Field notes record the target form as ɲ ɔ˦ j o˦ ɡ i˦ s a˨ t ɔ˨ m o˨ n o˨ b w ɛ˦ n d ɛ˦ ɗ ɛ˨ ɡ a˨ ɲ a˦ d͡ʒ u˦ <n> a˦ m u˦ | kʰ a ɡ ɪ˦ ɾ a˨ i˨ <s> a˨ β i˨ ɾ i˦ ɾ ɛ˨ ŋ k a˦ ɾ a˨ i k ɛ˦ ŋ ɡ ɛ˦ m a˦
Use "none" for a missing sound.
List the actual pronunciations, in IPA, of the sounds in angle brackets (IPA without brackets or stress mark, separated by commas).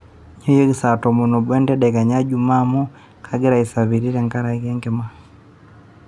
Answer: m, s